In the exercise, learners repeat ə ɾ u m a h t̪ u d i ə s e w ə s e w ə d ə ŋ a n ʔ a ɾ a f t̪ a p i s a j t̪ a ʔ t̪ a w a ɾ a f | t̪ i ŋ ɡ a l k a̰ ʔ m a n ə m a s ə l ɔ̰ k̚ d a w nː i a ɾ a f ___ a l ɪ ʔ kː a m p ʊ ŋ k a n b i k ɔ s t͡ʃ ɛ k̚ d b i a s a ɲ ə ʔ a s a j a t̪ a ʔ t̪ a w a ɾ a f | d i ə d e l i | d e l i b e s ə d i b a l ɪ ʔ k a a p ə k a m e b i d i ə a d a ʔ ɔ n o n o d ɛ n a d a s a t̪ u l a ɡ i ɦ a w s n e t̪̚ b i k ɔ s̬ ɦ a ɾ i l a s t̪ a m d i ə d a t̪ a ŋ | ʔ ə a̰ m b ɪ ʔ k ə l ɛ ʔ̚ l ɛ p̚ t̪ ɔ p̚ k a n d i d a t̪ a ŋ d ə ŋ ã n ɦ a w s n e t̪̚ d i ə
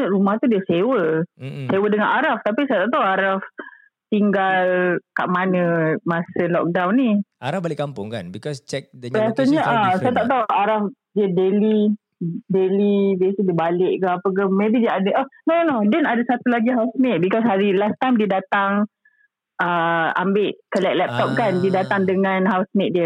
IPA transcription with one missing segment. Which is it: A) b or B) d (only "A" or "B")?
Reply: A